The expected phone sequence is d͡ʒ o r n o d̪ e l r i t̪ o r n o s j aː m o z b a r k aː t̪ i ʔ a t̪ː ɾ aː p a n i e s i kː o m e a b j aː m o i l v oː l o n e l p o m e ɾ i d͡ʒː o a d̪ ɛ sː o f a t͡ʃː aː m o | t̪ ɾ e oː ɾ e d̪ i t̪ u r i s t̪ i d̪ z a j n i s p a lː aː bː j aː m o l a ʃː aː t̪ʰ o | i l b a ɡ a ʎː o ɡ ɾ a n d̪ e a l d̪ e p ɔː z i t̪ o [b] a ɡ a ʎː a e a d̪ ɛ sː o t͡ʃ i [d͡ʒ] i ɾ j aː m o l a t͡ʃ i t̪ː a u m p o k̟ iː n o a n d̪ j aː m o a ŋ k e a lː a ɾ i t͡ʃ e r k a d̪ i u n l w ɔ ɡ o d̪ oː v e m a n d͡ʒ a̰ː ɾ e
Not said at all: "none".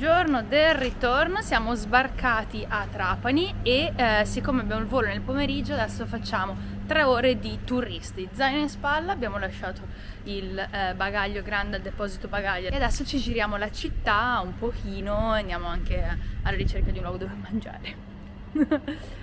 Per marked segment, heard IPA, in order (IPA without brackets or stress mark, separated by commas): b, d͡ʒ